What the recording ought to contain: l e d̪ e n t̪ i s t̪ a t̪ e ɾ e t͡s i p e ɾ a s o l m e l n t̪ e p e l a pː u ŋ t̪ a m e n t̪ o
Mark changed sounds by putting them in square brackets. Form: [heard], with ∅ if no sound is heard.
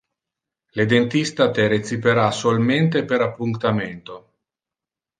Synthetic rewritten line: l e d̪ e n t̪ i s t̪ a t̪ e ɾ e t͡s i p e ɾ a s o l m e [∅] n t̪ e p e [ɾ] a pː u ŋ t̪ a m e n t̪ o

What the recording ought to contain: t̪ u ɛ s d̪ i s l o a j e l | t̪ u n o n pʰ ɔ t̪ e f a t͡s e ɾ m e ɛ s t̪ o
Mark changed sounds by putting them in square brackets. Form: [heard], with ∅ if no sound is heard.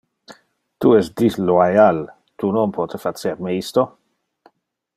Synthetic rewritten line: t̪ u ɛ s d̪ i s l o a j [a] l | t̪ u n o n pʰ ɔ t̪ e f a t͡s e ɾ m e [i] s t̪ o

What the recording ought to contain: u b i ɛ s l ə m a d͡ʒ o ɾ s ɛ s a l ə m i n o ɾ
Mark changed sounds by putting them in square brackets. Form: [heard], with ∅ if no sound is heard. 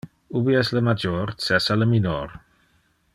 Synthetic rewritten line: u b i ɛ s l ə m a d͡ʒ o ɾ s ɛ s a l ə m i n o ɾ

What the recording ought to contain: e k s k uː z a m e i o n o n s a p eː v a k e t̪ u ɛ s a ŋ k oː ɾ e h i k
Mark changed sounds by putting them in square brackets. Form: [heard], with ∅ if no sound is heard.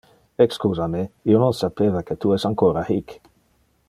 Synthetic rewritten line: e k s k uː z a m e i o n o n s a p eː v a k e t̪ u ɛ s a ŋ k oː ɾ [a] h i k

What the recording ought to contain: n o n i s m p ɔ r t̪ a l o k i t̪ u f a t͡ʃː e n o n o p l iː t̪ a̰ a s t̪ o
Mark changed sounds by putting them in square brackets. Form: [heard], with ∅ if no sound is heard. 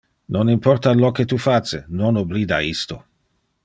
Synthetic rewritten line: n o n i [∅] m p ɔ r t̪ a l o k [e] t̪ u f a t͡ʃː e n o n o [b] l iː [d̪] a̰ [i] s t̪ o

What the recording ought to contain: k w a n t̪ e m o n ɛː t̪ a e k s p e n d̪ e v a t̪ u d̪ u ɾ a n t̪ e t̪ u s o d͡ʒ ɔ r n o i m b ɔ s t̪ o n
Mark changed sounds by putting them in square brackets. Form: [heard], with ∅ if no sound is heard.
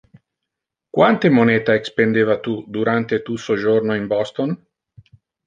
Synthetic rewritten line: k w a n t̪ e m o n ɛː t̪ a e k s p e n d̪ e v a t̪ u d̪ u ɾ a n t̪ e t̪ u s o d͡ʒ [o] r n o i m b ɔ s t̪ o n

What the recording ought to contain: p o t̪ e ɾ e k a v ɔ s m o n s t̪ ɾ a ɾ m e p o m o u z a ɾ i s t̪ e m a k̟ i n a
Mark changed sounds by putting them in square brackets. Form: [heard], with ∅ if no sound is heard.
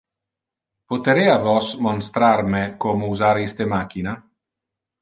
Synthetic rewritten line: p o t̪ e ɾ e [∅] a v ɔ s m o n s t̪ ɾ a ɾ m e [k] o m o u z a ɾ i s t̪ e m a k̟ i n a

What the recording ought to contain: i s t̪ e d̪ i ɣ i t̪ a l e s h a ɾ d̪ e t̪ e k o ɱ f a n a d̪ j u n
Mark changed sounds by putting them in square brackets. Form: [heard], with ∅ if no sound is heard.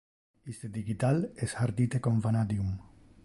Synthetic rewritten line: i s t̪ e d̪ i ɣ i t̪ a l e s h a ɾ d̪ [i] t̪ e k o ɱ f a n a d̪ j u [m]

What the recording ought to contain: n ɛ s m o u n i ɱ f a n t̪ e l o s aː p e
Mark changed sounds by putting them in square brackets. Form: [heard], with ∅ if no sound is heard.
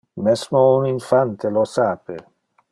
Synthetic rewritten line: [m] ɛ s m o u n i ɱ f a n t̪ e l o s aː p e

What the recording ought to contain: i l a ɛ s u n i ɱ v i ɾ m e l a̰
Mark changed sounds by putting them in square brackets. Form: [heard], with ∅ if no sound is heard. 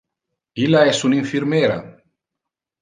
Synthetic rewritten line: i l a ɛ s u n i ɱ [f] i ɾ m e [ɾ] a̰

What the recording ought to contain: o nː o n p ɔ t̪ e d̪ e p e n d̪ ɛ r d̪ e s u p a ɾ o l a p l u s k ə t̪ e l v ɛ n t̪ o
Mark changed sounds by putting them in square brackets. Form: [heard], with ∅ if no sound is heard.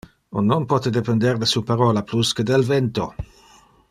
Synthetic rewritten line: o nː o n p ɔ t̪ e d̪ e p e n d̪ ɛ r d̪ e s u p a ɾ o l a p l u s k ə [d̪] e l v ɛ n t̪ o

